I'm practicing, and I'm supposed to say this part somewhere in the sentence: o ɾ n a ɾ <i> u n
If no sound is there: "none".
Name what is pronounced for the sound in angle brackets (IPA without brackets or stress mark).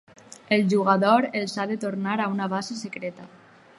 a